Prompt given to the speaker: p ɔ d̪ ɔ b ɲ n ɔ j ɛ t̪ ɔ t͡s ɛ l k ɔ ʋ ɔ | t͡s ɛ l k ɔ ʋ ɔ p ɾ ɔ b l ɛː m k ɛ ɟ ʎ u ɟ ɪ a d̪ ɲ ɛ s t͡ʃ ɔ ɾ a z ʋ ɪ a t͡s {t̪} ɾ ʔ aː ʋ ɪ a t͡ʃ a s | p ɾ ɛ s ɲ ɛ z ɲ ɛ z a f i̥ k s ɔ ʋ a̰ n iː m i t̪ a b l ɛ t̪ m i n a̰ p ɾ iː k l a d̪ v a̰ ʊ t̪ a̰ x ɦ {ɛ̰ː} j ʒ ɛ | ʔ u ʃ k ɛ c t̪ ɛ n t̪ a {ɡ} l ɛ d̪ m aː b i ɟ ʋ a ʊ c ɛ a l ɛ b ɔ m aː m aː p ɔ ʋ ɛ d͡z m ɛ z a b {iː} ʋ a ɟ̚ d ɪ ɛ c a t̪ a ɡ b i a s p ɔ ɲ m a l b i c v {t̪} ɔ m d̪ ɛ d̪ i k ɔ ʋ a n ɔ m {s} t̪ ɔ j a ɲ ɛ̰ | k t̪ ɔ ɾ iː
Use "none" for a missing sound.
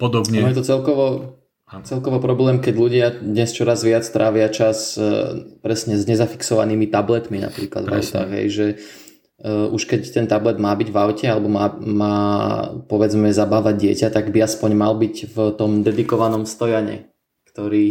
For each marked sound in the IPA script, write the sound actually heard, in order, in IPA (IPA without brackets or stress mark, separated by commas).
t̪, ɛ̰, b, aː, t̪, s